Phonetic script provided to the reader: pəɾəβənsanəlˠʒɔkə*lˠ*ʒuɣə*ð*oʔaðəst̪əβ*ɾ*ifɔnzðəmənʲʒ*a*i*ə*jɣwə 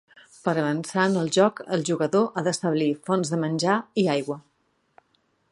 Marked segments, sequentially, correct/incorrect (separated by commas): correct, correct, incorrect, correct, incorrect